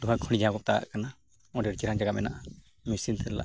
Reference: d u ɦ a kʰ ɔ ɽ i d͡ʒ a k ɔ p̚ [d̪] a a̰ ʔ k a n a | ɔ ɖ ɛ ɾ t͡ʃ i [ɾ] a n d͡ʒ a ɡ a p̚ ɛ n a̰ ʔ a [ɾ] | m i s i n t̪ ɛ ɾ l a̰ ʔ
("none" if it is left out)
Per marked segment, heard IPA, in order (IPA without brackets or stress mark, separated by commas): t̪, ɾ, none